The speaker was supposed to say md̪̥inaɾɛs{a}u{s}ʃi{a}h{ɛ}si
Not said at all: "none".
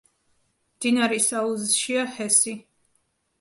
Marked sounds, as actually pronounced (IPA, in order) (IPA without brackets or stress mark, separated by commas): a, z, a, ɛ